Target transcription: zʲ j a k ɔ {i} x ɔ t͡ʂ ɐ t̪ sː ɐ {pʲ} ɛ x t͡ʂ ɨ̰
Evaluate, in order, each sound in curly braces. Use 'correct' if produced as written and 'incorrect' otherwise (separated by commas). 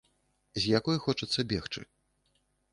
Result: incorrect, incorrect